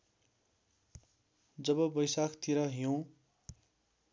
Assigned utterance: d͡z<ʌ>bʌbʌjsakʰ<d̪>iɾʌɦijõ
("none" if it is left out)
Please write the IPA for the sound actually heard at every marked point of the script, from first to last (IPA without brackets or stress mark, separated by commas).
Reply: ʌ, t̪